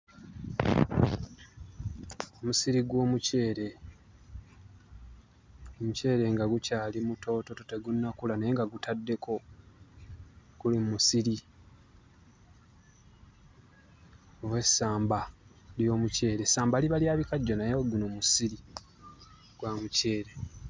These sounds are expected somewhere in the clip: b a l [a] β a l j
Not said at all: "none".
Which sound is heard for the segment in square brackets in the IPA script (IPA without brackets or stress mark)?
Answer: i